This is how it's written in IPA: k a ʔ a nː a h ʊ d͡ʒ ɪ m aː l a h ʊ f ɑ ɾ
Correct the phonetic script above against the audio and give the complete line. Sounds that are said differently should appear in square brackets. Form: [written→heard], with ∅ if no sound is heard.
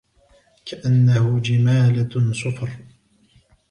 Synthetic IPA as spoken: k a ʔ a nː a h ʊ d͡ʒ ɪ m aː l a [h→s] ʊ f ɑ ɾ